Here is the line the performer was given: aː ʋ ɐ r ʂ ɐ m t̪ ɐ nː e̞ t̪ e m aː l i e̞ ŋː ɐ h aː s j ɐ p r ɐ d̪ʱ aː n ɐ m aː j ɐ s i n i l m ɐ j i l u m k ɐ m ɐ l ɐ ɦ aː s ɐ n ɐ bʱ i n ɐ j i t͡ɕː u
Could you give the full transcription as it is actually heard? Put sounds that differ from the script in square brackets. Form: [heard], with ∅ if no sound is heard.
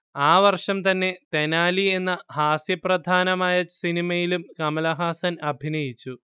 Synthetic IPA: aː ʋ ɐ r ʂ ɐ m t̪ ɐ nː e̞ t̪ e [n] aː l i e̞ [nː] ɐ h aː s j ɐ p r ɐ d̪ʱ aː n ɐ m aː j ɐ s i n i [∅] m ɐ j i l u m k ɐ m ɐ l ɐ ɦ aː s ɐ n ɐ bʱ i n ɐ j i t͡ɕː u